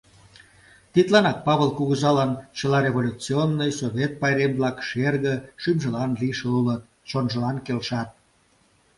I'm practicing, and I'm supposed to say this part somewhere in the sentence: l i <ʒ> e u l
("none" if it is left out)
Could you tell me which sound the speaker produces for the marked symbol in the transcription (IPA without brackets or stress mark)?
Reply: ʃ